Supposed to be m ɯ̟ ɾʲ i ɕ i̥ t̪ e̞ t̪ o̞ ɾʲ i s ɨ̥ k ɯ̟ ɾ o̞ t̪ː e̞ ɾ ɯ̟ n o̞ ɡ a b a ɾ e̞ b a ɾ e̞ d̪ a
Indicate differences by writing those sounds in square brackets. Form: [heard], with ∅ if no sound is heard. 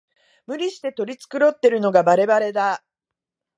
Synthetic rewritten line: m ɯ̟ ɾʲ i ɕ i̥ t̪ e̞ t̪ o̞ ɾʲ i [t͡s] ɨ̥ k ɯ̟ ɾ o̞ t̪ː e̞ ɾ ɯ̟ n o̞ ɡ a b a ɾ e̞ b a ɾ e̞ d̪ a